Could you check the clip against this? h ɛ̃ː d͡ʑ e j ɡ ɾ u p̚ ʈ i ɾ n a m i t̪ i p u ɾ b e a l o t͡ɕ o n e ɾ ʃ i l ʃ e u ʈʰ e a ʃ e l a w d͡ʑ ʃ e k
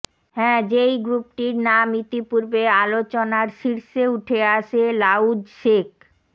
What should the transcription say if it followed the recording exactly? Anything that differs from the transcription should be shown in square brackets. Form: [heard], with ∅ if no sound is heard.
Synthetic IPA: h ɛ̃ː d͡ʑ e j ɡ ɾ u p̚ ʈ i ɾ n a m i t̪ i p u ɾ b e a l o t͡ɕ o n [a] ɾ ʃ i [ɾ] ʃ e u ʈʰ e a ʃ e l a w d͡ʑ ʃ e k